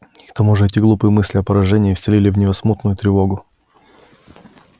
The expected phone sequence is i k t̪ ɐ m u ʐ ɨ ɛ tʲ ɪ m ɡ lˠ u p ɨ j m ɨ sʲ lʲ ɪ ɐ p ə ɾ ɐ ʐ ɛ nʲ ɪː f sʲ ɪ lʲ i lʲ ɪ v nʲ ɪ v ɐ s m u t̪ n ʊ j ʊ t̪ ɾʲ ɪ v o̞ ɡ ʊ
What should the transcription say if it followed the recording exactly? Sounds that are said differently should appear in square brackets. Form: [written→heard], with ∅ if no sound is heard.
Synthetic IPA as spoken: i k t̪ ɐ m u ʐ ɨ ɛ tʲ ɪ [m→∅] ɡ lˠ u p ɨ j m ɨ sʲ lʲ ɪ ɐ p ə ɾ ɐ ʐ ɛ nʲ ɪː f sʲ ɪ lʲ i lʲ ɪ v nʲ ɪ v ɐ s m u t̪ n ʊ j ʊ t̪ ɾʲ ɪ v o̞ ɡ ʊ